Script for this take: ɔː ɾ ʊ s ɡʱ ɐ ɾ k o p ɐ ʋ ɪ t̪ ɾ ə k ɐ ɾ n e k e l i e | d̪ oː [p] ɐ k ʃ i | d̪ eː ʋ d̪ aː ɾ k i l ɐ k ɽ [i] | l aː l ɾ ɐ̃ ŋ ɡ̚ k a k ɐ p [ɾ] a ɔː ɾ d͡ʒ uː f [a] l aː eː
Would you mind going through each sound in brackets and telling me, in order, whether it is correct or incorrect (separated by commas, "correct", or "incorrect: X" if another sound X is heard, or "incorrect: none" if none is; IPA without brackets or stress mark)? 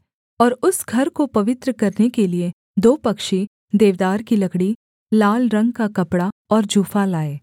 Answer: correct, correct, incorrect: ɽ, correct